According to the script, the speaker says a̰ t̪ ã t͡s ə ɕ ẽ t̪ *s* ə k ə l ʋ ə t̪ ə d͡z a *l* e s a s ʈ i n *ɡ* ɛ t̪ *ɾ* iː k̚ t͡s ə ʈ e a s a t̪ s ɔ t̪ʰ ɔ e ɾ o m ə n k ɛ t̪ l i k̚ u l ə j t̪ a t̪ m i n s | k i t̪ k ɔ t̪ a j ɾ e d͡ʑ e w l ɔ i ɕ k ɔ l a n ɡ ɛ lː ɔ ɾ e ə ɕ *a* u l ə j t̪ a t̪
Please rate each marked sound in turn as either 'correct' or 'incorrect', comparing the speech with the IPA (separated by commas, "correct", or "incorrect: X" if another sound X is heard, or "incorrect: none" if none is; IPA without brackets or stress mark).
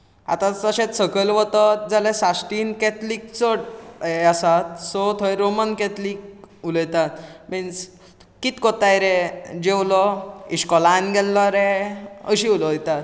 correct, correct, incorrect: k, incorrect: l, incorrect: i